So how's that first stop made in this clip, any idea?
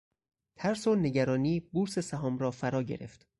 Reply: aspirated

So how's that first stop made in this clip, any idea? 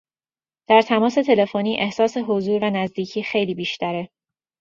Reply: plain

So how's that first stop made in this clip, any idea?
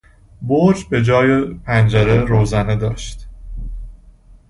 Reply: plain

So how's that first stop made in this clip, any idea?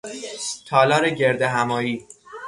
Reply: aspirated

